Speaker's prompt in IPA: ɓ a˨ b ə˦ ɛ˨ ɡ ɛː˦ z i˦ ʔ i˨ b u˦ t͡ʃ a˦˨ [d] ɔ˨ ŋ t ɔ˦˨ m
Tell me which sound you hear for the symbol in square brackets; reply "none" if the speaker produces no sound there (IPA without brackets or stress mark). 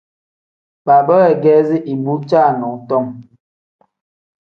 n